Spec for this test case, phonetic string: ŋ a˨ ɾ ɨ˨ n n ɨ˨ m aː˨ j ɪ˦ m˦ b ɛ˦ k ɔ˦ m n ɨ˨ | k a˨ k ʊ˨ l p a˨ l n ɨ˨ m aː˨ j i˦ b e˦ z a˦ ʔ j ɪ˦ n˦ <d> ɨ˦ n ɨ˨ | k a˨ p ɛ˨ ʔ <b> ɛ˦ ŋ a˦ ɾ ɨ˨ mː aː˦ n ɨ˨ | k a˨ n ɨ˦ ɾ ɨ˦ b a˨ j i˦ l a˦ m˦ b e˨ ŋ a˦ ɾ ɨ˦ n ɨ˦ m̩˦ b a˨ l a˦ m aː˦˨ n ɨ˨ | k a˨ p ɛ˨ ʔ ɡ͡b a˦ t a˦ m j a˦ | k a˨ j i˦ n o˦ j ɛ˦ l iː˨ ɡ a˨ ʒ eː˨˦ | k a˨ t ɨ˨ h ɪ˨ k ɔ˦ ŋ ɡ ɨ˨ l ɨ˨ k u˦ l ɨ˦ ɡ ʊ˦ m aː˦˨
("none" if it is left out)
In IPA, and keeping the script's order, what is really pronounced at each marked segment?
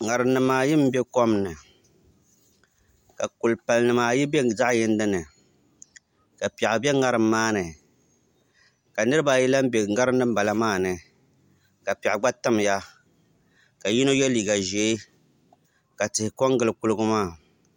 d, b

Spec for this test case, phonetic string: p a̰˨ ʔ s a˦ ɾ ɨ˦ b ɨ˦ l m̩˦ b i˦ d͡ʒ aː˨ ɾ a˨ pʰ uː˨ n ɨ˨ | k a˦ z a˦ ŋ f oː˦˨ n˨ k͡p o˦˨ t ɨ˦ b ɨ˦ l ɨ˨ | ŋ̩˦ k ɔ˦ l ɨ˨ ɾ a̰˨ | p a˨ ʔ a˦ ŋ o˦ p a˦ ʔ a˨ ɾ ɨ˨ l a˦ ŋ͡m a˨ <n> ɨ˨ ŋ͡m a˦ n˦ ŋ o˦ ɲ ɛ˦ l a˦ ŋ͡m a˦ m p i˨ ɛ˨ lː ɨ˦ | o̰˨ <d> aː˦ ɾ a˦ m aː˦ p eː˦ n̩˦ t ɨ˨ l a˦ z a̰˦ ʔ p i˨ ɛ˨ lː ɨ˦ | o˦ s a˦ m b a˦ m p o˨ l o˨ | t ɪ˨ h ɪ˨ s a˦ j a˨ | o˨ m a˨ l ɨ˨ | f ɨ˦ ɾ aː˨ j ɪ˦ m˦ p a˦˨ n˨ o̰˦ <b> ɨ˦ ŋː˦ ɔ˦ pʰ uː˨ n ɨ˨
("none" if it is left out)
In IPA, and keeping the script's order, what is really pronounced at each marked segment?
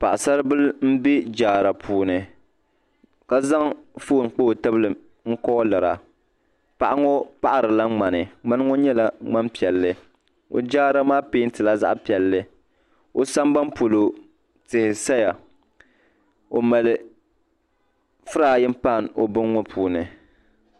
n, d͡ʒ, b

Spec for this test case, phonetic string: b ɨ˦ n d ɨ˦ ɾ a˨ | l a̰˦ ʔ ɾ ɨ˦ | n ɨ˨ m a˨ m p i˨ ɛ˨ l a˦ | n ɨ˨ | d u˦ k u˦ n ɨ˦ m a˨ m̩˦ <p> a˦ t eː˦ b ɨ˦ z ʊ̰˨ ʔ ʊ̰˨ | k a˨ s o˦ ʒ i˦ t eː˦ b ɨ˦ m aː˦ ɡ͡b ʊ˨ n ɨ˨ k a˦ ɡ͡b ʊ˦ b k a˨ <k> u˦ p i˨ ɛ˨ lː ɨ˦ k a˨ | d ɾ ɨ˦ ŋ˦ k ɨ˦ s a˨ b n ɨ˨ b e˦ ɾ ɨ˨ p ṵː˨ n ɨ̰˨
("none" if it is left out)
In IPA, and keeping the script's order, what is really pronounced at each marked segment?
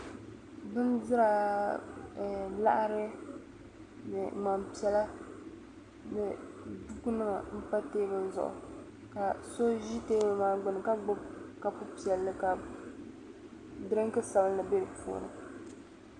p, p

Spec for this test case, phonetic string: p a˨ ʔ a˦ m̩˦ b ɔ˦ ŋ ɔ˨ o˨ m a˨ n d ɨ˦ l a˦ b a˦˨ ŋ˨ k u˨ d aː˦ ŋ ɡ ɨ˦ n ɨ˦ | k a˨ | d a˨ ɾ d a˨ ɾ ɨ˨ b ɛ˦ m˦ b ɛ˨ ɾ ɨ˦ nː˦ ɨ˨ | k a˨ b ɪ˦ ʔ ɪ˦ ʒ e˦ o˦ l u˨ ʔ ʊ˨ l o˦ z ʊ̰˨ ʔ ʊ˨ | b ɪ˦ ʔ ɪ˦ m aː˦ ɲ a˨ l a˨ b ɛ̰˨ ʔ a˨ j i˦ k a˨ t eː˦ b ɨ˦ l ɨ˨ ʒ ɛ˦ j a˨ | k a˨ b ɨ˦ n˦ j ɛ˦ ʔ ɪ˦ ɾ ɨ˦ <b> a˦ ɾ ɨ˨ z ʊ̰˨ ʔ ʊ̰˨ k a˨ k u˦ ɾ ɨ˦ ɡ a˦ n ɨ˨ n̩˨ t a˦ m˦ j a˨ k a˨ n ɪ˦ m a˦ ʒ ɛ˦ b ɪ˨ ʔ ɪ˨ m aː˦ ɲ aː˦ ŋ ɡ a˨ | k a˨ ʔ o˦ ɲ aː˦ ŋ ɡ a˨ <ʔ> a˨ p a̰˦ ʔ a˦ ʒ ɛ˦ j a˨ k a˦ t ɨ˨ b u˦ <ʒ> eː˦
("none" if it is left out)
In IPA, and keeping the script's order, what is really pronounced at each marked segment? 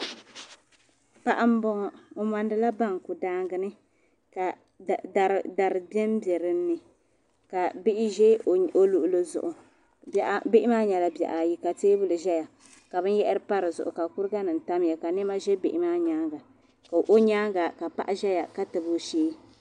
p, k, ʃ

